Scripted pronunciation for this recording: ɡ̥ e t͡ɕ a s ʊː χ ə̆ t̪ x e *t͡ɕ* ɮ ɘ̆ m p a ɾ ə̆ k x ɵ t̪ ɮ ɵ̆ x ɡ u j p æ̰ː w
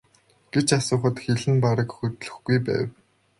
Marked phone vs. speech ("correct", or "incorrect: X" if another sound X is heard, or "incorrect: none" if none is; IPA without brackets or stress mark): incorrect: none